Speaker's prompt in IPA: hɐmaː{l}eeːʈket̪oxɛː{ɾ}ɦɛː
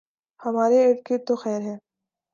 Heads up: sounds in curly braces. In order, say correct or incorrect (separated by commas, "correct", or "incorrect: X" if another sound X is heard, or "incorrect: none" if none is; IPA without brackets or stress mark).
incorrect: ɾ, correct